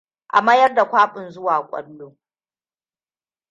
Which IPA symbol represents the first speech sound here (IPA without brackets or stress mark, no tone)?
ʔ